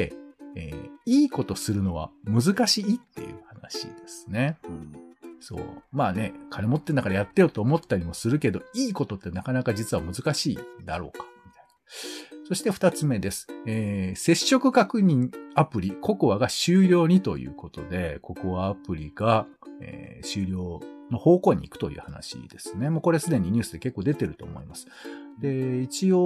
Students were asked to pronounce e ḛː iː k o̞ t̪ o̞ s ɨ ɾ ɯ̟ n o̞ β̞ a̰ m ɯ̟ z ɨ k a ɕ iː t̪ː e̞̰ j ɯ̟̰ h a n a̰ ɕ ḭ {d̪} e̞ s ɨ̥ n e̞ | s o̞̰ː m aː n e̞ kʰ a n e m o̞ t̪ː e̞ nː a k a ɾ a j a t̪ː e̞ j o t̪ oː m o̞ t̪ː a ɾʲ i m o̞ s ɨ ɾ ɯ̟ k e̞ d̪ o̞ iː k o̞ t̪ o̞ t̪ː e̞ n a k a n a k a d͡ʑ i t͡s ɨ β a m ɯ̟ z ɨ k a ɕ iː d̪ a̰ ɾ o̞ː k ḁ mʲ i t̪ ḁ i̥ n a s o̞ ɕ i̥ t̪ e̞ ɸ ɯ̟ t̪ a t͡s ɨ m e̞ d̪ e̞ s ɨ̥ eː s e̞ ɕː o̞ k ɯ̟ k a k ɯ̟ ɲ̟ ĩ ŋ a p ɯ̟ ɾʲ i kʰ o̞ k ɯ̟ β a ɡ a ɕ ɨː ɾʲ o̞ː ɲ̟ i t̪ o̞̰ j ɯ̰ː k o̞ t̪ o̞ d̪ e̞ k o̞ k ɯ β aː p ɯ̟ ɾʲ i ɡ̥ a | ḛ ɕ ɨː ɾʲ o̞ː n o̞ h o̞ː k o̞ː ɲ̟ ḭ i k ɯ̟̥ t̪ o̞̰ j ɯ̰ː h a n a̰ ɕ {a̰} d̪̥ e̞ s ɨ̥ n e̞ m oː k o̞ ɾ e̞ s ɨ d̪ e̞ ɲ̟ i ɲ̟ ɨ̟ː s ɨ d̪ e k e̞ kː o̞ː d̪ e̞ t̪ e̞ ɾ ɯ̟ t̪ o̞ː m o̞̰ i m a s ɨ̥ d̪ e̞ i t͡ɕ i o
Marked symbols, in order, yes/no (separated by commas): yes, no